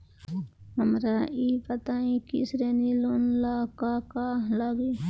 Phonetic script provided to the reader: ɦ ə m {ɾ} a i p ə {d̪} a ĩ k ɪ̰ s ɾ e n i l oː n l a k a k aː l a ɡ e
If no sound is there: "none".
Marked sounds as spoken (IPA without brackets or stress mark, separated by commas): ɾ, t̪